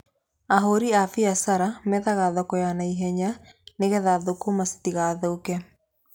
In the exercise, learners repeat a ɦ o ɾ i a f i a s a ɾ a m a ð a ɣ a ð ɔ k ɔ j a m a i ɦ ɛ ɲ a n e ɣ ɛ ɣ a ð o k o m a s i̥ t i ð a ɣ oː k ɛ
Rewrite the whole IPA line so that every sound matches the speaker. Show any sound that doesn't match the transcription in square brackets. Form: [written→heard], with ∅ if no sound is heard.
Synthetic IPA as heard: a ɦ o ɾ i a f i a s a ɾ a m [a→ɛ] ð a ɣ a ð ɔ k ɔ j a [m→n] a i ɦ ɛ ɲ a n e ɣ ɛ [ɣ→ð] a ð o k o m a s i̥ t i [ð→ɣ] a [ɣ→ð] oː k ɛ